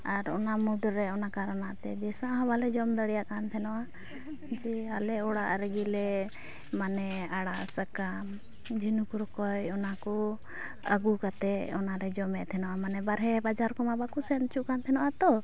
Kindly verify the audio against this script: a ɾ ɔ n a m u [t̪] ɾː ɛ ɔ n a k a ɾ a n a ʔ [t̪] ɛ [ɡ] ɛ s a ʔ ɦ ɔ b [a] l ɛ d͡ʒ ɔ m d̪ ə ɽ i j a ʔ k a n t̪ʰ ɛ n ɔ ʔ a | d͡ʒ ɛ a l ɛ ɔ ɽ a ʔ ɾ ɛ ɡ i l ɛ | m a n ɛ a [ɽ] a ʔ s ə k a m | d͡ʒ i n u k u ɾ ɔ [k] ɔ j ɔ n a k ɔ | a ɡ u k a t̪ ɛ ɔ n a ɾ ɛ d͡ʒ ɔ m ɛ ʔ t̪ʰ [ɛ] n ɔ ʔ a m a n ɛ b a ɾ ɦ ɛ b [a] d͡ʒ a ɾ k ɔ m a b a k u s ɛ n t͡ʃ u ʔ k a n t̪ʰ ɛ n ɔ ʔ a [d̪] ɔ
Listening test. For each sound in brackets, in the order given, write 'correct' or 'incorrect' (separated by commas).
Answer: incorrect, correct, incorrect, correct, correct, correct, correct, correct, incorrect